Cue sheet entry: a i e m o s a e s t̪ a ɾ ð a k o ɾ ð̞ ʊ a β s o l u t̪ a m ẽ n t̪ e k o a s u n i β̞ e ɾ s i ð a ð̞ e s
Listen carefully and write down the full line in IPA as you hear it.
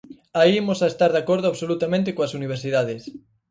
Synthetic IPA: a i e m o s a e s t̪ a ɾ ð a k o ɾ ð̞ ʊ a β s o l u t̪ a m ẽ n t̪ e k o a s u n i β̞ e ɾ s i ð a ð̞ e s